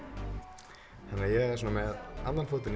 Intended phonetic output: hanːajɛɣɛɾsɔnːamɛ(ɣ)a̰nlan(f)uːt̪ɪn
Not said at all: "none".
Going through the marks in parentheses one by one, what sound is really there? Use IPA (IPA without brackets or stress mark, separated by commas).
ð, f